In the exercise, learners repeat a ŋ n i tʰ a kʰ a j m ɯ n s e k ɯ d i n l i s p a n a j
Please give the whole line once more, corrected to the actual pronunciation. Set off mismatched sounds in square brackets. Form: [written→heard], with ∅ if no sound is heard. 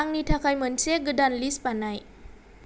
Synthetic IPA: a ŋ n i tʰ a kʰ a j m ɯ n s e [k→ɡ] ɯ d [i→a] n l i s p a n a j